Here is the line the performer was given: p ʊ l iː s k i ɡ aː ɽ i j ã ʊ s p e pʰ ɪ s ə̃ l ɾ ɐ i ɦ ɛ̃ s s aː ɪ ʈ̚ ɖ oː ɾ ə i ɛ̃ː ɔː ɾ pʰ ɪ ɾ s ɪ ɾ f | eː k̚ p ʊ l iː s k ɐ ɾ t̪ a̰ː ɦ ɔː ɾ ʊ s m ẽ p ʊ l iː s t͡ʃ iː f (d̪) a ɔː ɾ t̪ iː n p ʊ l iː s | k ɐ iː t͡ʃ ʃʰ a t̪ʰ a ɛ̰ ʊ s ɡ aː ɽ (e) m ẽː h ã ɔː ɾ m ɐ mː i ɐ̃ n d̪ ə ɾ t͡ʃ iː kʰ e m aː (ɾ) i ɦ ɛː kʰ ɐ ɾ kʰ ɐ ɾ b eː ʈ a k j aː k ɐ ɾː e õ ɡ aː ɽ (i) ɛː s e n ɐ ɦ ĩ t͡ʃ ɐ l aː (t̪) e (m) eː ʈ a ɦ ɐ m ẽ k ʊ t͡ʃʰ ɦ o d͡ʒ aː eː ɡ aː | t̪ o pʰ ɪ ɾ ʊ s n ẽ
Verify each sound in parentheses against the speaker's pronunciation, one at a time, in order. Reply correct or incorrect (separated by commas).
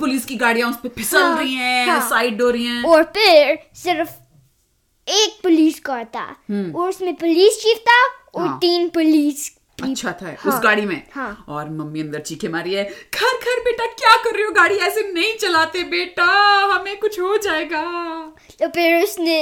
incorrect, incorrect, correct, correct, correct, incorrect